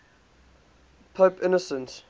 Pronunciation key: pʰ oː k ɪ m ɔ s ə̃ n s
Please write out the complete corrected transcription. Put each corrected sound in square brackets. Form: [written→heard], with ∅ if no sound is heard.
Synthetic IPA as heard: pʰ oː [k→p] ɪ [m→n] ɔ s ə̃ n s